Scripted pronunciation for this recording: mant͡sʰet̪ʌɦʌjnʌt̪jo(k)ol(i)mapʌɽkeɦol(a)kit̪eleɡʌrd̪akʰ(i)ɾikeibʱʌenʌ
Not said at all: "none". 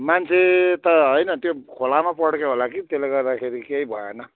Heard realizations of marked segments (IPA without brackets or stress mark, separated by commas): kʰ, a, a, e